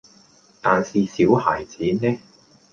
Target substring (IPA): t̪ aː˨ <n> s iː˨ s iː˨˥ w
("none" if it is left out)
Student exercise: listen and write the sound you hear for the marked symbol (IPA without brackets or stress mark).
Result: n